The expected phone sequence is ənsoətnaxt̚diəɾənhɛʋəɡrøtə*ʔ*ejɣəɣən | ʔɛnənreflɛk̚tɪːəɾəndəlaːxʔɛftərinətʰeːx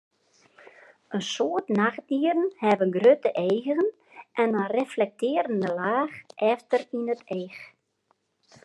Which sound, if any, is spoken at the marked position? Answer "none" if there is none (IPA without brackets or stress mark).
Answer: ʔ